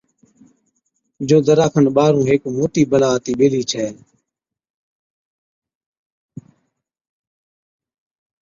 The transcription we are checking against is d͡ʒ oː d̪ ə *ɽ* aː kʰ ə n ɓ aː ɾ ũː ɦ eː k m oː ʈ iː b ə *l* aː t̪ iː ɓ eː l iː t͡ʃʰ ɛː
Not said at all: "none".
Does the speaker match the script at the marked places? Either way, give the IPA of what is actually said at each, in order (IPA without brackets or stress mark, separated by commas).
ɾ, l